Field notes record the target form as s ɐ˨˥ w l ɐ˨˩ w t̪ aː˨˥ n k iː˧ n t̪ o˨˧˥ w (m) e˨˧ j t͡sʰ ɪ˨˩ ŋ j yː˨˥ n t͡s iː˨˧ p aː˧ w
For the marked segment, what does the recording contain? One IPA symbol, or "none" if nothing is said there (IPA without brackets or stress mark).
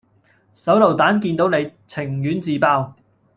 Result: n